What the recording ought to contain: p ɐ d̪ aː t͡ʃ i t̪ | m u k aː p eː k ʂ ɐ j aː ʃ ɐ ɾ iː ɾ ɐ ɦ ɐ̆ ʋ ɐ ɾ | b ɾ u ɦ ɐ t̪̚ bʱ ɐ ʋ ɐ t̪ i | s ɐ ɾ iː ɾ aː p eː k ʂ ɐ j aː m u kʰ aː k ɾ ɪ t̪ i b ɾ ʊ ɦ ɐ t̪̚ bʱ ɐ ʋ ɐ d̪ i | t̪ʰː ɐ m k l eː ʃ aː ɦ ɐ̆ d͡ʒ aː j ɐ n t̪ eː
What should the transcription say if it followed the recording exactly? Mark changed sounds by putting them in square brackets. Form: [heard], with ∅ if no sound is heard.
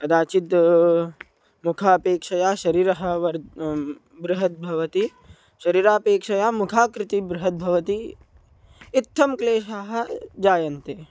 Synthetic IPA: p ɐ d̪ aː t͡ʃ i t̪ | m u [kʰ] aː p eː k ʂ ɐ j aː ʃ ɐ ɾ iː ɾ ɐ ɦ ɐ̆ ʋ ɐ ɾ | b ɾ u ɦ ɐ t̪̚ bʱ ɐ ʋ ɐ t̪ i | [ʃ] ɐ ɾ iː ɾ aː p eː k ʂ ɐ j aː m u kʰ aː k ɾ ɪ t̪ i b ɾ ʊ ɦ ɐ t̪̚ bʱ ɐ ʋ ɐ [t̪] i | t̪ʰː ɐ m k l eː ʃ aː ɦ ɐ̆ d͡ʒ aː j ɐ n t̪ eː